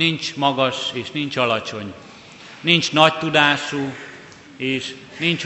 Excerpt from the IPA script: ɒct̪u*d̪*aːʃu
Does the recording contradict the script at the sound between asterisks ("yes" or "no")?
no